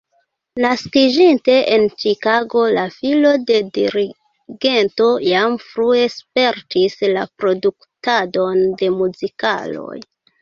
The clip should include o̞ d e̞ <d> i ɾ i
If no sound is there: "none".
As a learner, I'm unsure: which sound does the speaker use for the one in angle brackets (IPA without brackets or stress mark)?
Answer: d